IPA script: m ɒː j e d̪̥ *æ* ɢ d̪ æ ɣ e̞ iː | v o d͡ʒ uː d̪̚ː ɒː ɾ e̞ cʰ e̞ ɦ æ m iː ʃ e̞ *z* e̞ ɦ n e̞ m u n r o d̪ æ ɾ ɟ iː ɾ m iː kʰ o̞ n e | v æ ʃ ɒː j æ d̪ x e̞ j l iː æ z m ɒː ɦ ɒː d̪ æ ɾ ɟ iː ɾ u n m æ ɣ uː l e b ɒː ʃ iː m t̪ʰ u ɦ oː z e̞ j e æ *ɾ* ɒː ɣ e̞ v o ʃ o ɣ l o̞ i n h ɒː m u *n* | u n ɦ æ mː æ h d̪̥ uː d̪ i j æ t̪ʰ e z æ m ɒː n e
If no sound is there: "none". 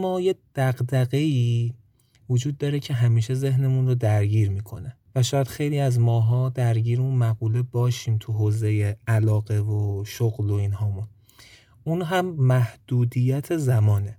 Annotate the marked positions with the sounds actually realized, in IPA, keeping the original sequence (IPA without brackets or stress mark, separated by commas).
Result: æ, z, l, n